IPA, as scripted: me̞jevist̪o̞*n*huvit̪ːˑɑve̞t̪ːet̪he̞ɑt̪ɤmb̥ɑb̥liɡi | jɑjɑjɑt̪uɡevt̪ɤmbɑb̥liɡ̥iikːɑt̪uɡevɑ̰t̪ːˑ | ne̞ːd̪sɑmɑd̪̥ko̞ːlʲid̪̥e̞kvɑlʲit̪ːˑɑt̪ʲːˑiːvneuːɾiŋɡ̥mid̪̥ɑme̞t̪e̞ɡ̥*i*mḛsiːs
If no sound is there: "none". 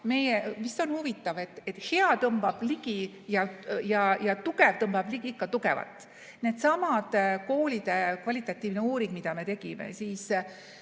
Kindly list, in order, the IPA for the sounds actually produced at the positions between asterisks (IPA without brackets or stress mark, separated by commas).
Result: n, i